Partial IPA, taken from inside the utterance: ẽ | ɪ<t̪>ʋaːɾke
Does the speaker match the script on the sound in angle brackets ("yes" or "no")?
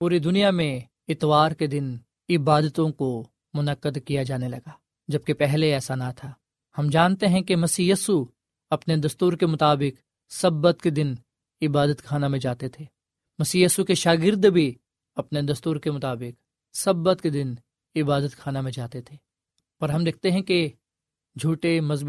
yes